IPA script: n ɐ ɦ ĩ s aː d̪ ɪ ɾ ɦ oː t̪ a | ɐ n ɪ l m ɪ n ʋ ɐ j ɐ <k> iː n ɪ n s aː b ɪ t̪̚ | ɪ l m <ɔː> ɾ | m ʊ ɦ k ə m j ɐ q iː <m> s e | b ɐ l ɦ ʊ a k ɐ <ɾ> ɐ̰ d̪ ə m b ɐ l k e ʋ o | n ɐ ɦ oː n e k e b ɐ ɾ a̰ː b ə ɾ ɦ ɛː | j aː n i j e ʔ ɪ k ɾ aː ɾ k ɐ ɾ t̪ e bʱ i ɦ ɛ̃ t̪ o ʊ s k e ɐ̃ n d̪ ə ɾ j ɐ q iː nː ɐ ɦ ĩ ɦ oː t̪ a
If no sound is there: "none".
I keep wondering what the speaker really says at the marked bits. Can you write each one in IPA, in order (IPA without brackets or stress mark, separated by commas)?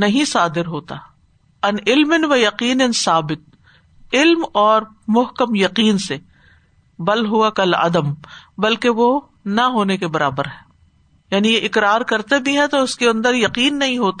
q, ɔː, n, l